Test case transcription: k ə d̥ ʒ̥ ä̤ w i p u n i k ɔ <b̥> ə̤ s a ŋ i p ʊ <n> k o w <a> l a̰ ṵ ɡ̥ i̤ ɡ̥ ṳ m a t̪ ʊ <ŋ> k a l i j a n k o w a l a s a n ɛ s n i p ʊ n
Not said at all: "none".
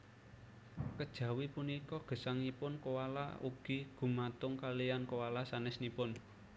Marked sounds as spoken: ɡ̥, n, a, ŋ

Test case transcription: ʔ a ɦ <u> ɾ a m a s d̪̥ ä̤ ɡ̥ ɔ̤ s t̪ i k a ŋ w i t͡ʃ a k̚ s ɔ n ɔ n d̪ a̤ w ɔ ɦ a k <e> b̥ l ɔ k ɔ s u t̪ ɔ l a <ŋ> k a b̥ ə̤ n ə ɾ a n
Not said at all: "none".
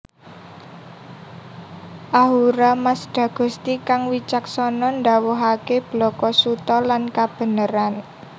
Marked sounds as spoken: u, e, n

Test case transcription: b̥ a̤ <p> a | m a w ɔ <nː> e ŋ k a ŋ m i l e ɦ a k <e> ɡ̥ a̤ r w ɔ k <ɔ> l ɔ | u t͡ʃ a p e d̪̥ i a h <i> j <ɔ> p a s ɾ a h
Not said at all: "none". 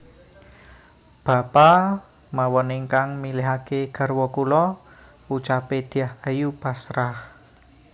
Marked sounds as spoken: p, n, e, u, a, u

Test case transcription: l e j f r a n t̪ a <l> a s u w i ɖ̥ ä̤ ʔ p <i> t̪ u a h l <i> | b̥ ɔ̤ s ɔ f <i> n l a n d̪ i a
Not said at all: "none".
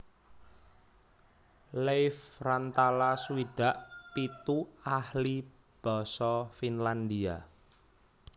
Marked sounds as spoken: l, i, i, i

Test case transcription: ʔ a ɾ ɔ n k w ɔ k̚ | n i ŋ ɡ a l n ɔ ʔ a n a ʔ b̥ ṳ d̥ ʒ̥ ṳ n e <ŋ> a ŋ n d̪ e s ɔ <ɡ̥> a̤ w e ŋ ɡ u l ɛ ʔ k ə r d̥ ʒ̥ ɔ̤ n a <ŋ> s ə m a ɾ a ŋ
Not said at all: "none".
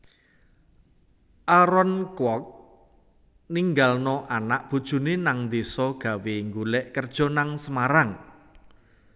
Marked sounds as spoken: n, ɡ̥, ŋ

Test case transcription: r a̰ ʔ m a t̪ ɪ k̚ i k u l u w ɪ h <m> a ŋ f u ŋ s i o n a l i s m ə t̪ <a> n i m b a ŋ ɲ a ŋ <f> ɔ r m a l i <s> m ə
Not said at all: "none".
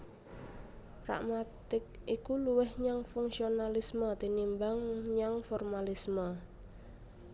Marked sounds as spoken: ɲ, i, f, s

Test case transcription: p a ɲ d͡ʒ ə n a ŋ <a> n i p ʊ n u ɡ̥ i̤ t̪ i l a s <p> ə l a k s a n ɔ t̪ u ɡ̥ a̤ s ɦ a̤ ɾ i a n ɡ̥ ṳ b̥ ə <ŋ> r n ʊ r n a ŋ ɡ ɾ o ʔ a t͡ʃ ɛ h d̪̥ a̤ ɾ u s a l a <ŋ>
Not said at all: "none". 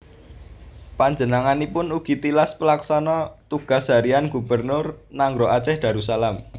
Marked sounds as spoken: a, p, none, m

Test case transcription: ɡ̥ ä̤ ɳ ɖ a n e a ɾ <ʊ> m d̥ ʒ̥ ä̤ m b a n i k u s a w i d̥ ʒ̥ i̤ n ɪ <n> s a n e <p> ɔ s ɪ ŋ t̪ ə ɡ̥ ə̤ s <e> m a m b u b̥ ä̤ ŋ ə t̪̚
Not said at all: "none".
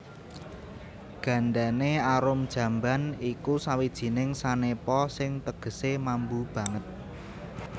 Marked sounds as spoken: ʊ, ŋ, p, e

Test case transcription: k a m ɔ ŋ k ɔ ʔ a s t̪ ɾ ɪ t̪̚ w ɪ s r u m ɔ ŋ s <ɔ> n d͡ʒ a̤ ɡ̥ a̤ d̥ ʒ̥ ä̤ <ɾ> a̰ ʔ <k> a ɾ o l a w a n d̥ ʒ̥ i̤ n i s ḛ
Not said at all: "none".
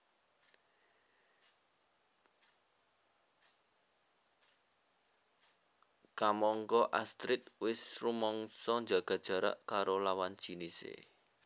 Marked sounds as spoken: ɔ, ɾ, k

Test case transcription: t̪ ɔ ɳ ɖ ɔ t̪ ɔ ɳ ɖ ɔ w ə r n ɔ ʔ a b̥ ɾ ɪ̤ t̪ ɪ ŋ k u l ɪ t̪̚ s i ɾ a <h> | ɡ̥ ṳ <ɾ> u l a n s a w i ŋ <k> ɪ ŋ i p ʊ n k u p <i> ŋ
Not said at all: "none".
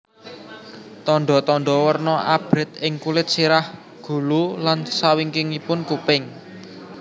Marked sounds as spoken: h, l, k, ɪ

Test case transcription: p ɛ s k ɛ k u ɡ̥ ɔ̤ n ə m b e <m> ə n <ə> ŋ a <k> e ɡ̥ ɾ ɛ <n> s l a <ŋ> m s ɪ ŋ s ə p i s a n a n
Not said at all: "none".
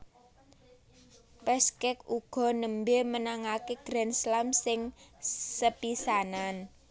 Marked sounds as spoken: m, a, k, n, none

